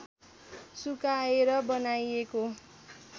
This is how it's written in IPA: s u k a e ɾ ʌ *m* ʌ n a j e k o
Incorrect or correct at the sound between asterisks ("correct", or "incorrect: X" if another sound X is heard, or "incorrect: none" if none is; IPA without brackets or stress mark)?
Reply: incorrect: b